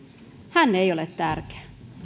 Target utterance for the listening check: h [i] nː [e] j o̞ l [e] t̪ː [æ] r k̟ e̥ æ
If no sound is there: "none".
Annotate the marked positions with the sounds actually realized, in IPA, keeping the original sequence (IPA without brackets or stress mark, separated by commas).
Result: æ, e, e, æ